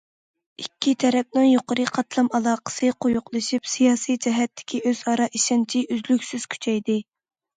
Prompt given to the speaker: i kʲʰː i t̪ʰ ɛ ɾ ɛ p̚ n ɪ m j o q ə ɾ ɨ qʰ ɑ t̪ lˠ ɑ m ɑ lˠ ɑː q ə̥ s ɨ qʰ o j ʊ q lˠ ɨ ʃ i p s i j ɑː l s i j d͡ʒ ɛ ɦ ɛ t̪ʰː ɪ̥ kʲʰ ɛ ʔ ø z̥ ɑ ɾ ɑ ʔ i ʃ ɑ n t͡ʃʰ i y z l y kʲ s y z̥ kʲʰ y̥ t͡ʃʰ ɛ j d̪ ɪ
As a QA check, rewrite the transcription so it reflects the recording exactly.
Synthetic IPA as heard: i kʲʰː i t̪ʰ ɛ ɾ ɛ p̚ n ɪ ŋ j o q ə ɾ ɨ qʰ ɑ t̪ lˠ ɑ m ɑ lˠ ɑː q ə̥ s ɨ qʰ o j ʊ q lˠ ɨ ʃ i p s i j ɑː s i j d͡ʒ ɛ ɦ ɛ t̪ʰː ɪ̥ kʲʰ i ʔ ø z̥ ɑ ɾ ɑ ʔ i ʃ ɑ n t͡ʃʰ i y z l y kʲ s y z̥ kʲʰ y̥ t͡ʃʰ ɛ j d̪ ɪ

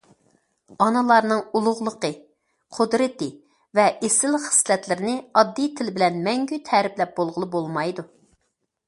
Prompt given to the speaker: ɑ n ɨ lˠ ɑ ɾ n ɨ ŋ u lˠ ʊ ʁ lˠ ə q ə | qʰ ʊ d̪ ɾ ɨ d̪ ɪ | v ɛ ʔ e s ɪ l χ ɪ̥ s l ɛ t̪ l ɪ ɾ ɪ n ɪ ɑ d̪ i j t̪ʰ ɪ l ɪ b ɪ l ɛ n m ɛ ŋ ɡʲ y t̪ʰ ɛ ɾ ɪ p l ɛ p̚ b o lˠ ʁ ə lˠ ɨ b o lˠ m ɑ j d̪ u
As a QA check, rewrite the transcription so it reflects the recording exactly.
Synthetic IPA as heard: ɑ n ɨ lˠ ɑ ɾ n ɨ ŋ u lˠ ʊ ʁ lˠ ə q ə | qʰ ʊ d̪ ɾ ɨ t̪ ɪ | v ɛ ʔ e s ɪ l χ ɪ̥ s l ɛ t̪ l ɪ ɾ ɪ n ɪ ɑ d̪ː i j t̪ʰ ɪ l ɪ b ɪ l ɛ n m ɛ ŋ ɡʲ y t̪ʰ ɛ ɾ ɪ p l ɛ p̚ b o lˠ ʁ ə lˠ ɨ b o lˠ m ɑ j d̪ u

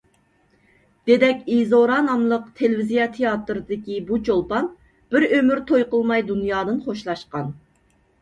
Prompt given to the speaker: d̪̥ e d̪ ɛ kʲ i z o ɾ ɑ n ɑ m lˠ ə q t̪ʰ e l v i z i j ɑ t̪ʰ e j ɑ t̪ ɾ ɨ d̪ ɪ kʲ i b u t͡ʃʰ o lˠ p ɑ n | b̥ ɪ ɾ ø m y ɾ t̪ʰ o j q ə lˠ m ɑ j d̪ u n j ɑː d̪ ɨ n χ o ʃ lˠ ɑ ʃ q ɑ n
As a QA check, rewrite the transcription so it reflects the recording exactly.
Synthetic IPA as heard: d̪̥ e d̪ ɛ kʲ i z o ɾ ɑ n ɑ m lˠ ə q t̪ʰ e l v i z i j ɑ t̪ʰ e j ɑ t̪ ɾ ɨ d̪ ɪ kʲ i b u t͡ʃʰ o lˠ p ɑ n | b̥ ɪ ɾ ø m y ɾ t̪ʰ o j q ə lˠ m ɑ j d̪ u n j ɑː d̪ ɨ n χ o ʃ lˠ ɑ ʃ q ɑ n

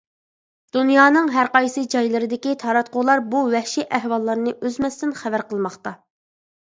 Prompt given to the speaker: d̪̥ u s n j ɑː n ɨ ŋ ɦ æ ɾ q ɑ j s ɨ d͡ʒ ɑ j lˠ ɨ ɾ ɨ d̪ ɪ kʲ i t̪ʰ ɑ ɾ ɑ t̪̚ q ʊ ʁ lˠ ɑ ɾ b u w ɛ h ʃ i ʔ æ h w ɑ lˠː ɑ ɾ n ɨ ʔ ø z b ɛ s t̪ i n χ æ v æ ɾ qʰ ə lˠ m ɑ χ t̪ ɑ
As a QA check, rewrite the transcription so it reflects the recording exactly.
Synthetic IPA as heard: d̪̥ u n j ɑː n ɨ ŋ ɦ æ ɾ q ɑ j s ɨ d͡ʒ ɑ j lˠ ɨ ɾ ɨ d̪ ɪ kʲ i t̪ʰ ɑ ɾ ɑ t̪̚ q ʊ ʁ lˠ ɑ ɾ b u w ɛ h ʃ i ʔ æ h w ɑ lˠː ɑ ɾ n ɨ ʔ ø z m ɛ s t̪ ɪ n χ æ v æ ɾ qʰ ə lˠ m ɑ χ t̪ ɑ

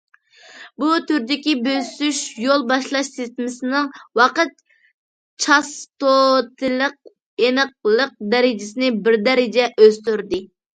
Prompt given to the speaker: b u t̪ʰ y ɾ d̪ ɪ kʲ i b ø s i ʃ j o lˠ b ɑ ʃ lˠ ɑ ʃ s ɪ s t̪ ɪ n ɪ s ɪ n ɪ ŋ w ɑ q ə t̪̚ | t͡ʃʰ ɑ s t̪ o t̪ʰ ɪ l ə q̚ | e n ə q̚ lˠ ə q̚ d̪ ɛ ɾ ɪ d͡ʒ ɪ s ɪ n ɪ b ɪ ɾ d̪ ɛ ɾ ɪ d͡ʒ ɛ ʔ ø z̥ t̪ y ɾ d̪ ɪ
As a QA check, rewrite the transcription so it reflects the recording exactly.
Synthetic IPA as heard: b u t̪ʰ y ɾ d̪ ɪ kʲ i b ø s y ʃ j o lˠ b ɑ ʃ lˠ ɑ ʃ s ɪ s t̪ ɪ m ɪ s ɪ n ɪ ŋ w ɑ q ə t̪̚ | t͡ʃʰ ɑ s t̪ o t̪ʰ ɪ l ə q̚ | e n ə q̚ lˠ ə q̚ d̪ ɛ ɾ ɪ d͡ʒ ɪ s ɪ n ɪ b ɪ ɾ d̪ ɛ ɾ ɪ d͡ʒ ɛ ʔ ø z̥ t̪ y ɾ d̪ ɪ

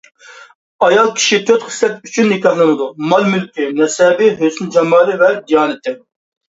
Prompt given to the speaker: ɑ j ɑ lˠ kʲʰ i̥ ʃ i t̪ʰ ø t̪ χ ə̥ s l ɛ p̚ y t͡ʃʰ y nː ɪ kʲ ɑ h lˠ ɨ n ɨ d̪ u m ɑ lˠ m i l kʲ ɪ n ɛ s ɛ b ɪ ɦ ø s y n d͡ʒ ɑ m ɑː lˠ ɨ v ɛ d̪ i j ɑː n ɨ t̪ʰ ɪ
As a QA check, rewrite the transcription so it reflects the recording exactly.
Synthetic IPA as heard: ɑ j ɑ lˠ kʲʰ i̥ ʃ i t̪ʰ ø t̪ χ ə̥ s l ɛ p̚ y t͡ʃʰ y nː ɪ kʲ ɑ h lˠ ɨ n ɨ d̪ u m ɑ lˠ m y l kʲ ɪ n ɛ s ɛ b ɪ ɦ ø s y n d͡ʒ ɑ m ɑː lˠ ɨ v ɛ d̪ i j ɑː n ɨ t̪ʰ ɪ

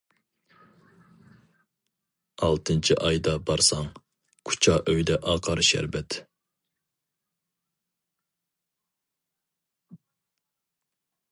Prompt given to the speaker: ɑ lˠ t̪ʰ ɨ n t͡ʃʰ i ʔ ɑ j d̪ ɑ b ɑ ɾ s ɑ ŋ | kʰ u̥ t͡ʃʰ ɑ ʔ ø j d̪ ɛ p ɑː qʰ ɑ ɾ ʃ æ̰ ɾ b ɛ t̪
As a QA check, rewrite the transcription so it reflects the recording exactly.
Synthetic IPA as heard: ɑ lˠ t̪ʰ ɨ n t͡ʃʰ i ʔ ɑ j d̪ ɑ b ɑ ɾ s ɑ ŋ | kʰ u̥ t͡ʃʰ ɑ ʔ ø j d̪ ɛ ʔ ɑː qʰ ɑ ɾ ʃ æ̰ ɾ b ɛ t̪

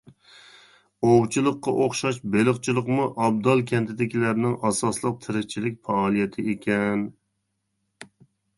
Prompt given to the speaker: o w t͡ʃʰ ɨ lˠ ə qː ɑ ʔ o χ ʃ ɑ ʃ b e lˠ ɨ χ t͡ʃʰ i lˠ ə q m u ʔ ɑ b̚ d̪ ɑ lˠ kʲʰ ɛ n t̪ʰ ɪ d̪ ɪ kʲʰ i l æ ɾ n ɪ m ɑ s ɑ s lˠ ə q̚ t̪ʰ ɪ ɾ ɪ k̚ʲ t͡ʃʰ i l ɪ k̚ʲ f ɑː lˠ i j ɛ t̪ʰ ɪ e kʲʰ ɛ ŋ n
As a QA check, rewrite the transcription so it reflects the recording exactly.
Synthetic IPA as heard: o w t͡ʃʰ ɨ lˠ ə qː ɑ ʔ o χ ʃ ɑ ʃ b e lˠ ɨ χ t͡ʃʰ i lˠ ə q m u ʔ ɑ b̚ d̪ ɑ lˠ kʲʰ ɛ n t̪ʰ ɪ d̪ ɪ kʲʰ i l æ ɾ n ɪ ŋ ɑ s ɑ s lˠ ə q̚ t̪ʰ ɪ ɾ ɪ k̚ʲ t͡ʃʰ i l ɪ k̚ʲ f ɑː lˠ i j ɛ t̪ʰ ɪ e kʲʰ ɛ n

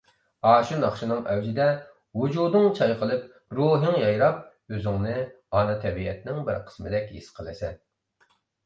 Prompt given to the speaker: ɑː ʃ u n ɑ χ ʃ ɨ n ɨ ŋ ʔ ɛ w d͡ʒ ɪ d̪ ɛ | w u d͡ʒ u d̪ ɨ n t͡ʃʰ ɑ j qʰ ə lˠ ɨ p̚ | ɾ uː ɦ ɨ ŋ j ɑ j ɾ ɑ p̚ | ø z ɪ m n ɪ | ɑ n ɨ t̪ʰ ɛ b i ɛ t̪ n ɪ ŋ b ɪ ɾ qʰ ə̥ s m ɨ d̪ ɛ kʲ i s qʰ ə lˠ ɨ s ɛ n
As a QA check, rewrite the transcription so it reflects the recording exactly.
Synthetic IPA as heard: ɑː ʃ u n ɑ χ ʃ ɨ n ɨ ŋ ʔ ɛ w d͡ʒ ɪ d̪ ɛ | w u d͡ʒ u d̪ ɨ ŋ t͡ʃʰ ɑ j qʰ ə lˠ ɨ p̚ | ɾ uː ɦ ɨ ŋ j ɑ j ɾ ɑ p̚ | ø z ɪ ŋ n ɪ | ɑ n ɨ t̪ʰ ɛ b i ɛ t̪ n ɪ ŋ b ɪ ɾ qʰ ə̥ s m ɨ d̪ ɛ kʲ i s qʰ ə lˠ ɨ s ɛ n

